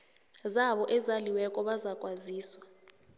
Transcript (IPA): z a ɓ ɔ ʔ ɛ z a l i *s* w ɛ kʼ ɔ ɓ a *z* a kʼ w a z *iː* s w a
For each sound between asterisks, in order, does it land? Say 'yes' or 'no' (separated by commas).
no, yes, yes